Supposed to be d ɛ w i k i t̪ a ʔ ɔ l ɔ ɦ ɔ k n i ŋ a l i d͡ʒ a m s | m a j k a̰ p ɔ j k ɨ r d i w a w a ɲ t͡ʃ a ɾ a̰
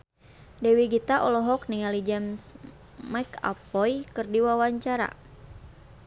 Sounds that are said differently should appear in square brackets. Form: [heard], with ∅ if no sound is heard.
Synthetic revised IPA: d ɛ w i [ɡ] i t̪ a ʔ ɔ l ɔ ɦ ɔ k n i ŋ a l i d͡ʒ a m s | m a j k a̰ p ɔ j k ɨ r d i w a w a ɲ t͡ʃ a ɾ a̰